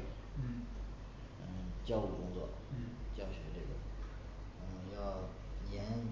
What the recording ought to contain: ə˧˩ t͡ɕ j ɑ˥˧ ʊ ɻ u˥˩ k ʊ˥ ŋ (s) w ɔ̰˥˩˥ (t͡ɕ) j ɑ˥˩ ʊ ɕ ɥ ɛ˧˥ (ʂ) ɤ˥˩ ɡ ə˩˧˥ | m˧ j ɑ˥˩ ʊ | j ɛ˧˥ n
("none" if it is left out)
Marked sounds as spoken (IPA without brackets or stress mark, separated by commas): t͡s, t͡ɕ, ʈ͡ʂ